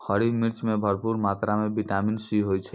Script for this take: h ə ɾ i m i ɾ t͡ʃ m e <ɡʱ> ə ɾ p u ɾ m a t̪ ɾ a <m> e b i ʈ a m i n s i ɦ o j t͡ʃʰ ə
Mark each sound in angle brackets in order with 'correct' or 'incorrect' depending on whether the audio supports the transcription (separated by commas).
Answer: incorrect, correct